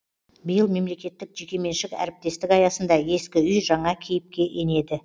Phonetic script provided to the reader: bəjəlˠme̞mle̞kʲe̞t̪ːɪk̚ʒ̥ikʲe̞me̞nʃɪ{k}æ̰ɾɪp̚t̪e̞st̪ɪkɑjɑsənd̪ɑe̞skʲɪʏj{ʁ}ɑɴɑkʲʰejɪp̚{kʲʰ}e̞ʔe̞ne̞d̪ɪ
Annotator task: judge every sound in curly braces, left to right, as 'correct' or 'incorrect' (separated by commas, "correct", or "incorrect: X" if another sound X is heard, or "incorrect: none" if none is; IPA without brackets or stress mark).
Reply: correct, incorrect: ʒ, incorrect: kʲ